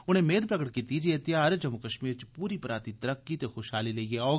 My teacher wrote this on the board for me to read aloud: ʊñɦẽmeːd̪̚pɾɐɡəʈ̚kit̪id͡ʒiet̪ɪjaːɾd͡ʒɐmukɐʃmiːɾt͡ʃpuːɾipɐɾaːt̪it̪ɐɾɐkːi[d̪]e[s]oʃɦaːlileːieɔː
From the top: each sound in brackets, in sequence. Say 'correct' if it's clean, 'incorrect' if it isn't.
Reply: incorrect: t̪, incorrect: x

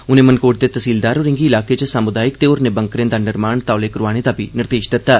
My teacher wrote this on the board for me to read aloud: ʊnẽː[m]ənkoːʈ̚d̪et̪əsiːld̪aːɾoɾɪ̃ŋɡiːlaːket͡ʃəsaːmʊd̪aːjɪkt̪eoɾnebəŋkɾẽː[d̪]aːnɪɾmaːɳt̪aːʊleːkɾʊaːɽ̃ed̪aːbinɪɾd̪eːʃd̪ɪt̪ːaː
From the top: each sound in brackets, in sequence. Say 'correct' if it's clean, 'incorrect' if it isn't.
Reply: correct, correct

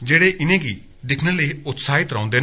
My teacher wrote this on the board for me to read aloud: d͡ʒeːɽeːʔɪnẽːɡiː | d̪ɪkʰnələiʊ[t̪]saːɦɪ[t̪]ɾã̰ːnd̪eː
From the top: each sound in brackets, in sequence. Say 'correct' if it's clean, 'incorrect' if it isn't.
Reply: correct, correct

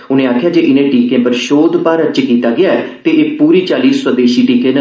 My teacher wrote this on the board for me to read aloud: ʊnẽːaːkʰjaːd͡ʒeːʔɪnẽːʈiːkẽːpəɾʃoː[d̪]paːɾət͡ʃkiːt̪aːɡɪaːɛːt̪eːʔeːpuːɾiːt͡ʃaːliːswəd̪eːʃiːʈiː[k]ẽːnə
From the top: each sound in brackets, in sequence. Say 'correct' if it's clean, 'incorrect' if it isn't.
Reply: correct, correct

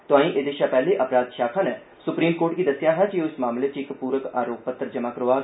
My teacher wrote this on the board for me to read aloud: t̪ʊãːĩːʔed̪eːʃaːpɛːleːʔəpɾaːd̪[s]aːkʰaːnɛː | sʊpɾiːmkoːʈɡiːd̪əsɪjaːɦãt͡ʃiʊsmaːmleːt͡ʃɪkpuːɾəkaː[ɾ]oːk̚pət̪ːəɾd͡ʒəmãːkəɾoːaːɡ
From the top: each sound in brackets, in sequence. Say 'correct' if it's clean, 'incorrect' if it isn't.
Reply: incorrect: ʃ, correct

